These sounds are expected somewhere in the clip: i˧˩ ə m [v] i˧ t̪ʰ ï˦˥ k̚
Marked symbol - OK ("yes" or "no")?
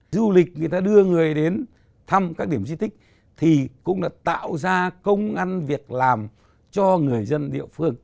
no